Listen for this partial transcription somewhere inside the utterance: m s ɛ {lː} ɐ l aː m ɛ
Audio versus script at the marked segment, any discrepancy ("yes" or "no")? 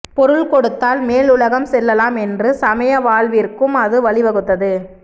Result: no